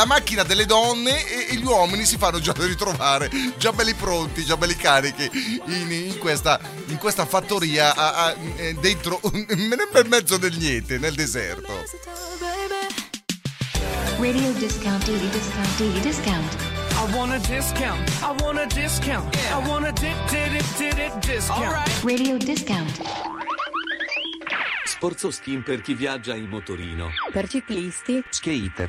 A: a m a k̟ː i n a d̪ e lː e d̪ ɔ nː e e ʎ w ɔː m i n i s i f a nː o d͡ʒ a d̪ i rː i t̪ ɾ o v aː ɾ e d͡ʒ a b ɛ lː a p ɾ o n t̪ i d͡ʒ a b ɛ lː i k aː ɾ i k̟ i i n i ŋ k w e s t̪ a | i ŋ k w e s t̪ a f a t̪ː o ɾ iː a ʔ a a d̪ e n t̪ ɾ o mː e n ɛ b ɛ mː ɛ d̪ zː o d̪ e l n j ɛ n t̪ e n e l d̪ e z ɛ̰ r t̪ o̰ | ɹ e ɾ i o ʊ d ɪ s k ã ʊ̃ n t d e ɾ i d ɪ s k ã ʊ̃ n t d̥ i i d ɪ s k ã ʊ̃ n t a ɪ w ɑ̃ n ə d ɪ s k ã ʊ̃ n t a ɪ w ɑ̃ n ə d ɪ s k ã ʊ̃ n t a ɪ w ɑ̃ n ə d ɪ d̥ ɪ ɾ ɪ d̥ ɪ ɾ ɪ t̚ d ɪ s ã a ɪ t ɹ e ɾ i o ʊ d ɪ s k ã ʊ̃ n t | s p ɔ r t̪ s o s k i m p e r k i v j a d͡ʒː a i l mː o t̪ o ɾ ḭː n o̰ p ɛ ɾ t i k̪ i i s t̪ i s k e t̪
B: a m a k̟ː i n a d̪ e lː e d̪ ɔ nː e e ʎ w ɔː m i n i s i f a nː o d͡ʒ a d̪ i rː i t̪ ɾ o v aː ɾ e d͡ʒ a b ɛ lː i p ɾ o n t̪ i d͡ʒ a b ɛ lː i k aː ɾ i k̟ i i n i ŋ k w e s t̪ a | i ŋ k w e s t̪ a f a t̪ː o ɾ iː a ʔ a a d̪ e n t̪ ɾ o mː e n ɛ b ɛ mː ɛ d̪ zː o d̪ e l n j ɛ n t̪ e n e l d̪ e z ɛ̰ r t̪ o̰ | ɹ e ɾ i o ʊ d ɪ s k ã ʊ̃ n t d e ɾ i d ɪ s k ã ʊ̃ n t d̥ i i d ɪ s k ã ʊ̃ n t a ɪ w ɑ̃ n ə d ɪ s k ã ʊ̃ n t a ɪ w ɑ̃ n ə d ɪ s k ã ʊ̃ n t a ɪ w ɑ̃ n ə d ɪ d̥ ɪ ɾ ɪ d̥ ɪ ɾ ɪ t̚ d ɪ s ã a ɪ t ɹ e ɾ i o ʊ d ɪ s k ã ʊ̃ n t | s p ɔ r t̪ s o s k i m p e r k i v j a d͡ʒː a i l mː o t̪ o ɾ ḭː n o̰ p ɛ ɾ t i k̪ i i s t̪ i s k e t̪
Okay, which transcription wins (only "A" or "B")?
B